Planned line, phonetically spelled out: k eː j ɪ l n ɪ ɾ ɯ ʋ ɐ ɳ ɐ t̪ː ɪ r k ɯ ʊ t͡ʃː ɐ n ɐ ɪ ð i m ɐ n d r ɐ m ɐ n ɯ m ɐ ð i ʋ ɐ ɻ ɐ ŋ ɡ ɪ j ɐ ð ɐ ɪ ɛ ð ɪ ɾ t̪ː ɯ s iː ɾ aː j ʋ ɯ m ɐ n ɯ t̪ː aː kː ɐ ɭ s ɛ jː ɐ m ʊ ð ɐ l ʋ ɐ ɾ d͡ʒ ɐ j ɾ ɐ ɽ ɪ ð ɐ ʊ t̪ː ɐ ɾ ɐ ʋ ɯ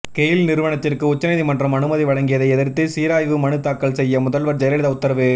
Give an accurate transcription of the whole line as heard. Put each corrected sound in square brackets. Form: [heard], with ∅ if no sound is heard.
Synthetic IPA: k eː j ɪ l n ɪ ɾ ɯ ʋ ɐ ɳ ɐ t̪ː ɪ r k ɯ ʊ t͡ʃː ɐ n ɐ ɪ ð i m ɐ n d r ɐ m ɐ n ɯ m ɐ ð i ʋ ɐ ɻ ɐ ŋ ɡ ɪ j ɐ ð ɐ ɪ ɛ ð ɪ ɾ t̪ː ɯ s iː ɾ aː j ʋ ɯ m ɐ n ɯ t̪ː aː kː ɐ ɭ s ɛ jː ɐ m ʊ ð ɐ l ʋ ɐ ɾ d͡ʒ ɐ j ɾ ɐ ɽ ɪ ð ɐ ʊ t̪ː ɐ ɾ ɐ ʋ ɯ